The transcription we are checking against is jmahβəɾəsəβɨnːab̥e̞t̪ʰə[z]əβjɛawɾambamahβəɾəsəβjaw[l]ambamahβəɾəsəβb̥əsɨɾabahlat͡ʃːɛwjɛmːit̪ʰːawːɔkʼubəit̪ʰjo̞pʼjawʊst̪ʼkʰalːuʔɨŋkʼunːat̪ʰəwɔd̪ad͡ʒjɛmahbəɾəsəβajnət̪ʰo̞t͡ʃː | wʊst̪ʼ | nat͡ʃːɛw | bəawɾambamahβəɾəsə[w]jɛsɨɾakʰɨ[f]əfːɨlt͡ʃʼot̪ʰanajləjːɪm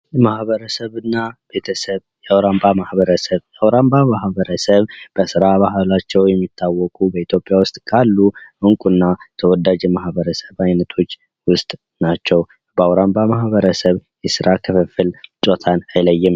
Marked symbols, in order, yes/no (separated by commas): no, no, no, yes